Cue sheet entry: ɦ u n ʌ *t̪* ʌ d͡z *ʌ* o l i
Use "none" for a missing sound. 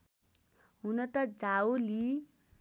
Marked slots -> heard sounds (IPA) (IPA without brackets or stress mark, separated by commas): t̪, a